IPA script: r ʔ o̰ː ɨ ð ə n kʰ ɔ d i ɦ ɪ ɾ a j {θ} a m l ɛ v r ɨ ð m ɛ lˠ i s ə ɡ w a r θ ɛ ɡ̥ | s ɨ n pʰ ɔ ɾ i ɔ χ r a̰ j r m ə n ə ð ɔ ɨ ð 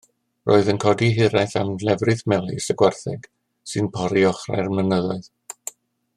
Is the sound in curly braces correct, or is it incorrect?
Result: correct